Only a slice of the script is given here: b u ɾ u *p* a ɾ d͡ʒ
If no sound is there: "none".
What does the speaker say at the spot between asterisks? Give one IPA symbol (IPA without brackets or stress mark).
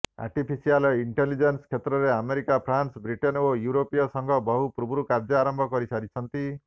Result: k